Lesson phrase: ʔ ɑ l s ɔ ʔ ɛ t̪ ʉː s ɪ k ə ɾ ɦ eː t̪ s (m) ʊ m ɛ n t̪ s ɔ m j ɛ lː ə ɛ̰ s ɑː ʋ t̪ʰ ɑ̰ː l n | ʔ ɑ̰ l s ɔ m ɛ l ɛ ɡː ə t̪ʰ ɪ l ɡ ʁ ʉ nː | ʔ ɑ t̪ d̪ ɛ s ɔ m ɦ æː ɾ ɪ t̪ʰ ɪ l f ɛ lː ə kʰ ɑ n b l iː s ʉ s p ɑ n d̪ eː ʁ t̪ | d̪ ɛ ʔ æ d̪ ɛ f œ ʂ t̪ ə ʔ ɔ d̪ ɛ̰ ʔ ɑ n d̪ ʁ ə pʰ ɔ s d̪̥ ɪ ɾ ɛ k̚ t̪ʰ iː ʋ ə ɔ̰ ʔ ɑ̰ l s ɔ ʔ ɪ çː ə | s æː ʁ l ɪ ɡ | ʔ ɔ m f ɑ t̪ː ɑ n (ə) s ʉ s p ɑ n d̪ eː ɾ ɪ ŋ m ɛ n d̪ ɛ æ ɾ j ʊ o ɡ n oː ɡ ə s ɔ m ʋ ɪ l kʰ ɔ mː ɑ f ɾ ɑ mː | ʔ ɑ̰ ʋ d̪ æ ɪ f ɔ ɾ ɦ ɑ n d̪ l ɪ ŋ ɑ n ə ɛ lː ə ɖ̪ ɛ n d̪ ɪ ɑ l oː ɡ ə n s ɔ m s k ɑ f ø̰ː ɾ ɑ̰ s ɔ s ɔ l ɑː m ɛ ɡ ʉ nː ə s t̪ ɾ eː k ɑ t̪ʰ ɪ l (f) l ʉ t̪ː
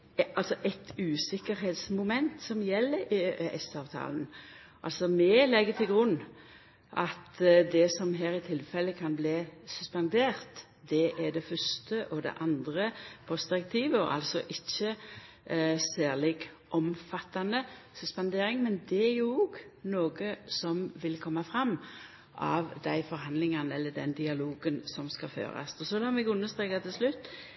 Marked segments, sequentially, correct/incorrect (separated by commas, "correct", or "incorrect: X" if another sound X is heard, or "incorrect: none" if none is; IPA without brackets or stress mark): correct, correct, incorrect: s